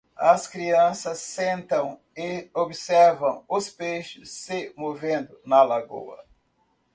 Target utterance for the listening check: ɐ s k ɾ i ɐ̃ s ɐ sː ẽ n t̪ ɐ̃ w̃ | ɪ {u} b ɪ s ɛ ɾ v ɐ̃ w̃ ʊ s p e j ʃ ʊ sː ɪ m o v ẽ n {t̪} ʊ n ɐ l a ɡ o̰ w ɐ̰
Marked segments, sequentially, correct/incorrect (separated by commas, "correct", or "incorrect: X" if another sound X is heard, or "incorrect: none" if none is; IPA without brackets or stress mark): incorrect: o, incorrect: d̪